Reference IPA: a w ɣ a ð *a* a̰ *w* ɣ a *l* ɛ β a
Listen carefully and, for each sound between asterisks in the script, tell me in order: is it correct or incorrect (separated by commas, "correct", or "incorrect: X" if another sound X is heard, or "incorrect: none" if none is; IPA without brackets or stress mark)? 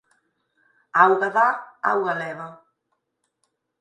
correct, correct, correct